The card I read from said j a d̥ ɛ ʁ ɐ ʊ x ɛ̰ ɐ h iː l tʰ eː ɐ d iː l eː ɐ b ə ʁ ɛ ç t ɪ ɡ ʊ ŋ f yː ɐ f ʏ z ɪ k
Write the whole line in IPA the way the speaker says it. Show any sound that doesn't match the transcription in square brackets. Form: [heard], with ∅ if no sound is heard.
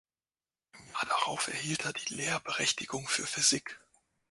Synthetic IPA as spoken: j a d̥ [a] ʁ [a] ʊ [f] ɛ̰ ɐ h iː l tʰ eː ɐ d iː l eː ɐ b ə ʁ ɛ ç t ɪ ɡ ʊ ŋ f yː ɐ f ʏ z ɪ k